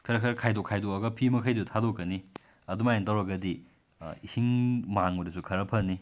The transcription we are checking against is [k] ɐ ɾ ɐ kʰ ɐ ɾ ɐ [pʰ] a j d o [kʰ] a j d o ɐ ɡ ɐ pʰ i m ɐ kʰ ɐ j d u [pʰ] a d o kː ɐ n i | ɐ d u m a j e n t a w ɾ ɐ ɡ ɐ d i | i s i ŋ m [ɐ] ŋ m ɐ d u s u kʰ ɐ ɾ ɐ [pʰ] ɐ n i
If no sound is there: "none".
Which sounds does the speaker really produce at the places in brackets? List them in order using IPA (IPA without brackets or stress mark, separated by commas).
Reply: kʰ, kʰ, kʰ, tʰ, a, pʰ